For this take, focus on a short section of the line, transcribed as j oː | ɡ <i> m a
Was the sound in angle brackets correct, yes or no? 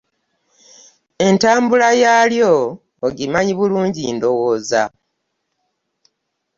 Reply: yes